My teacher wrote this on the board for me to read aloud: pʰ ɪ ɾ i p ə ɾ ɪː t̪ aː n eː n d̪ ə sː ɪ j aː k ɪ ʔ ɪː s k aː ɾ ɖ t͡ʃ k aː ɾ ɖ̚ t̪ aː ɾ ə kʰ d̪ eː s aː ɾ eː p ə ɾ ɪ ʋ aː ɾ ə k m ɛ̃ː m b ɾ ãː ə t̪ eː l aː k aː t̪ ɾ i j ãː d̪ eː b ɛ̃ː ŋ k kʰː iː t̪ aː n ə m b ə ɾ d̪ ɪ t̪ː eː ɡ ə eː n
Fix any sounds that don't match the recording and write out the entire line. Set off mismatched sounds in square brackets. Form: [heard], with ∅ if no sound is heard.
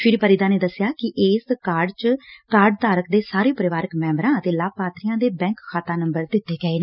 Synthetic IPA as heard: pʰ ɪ ɾ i p ə ɾ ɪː [d̪] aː n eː [∅] d̪ ə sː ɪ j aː k ɪ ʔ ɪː s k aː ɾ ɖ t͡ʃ k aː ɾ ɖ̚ t̪ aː ɾ ə [k] d̪ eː s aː ɾ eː p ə ɾ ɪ ʋ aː ɾ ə k m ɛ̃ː m b ɾ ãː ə t̪ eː l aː [p] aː t̪ ɾ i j ãː d̪ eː b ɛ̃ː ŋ k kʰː [aː] t̪ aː n ə m b ə ɾ d̪ ɪ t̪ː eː ɡ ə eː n